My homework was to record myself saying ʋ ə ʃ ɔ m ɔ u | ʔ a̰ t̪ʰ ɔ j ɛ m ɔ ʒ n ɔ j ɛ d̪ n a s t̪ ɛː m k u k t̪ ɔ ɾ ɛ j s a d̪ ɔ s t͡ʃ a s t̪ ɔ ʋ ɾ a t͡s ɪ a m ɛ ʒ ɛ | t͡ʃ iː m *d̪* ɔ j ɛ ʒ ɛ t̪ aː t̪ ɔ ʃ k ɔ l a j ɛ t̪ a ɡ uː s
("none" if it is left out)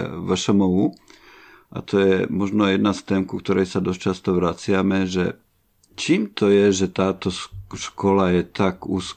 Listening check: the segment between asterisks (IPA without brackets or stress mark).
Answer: t̪